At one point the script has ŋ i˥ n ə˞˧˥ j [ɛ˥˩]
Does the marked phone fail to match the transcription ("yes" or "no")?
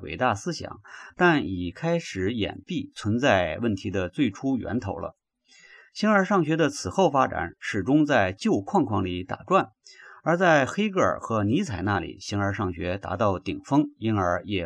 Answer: yes